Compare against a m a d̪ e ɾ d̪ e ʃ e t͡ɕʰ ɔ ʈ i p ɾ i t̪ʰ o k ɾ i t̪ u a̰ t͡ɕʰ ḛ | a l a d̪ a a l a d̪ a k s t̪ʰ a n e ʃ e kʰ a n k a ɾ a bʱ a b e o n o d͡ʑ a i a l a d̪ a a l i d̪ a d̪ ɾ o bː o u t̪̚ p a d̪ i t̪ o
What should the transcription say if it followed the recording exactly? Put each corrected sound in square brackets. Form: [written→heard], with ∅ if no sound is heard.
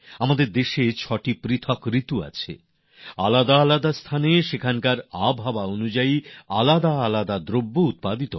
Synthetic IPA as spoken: a m a d̪ e ɾ d̪ e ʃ e t͡ɕʰ ɔ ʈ i p ɾ i t̪ʰ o k ɾ i t̪ u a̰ t͡ɕʰ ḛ | a l a d̪ a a l a d̪ a [k→∅] s t̪ʰ a n e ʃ e kʰ a n k a ɾ a bʱ a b [e→a] o n [o→u] d͡ʑ a i a l a d̪ a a l [i→a] d̪ a d̪ ɾ o bː o u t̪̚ p a d̪ i t̪ o